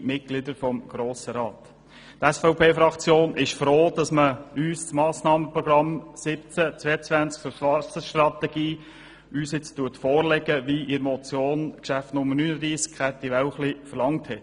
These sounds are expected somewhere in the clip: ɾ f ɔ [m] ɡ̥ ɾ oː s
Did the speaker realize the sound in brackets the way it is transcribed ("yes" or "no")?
yes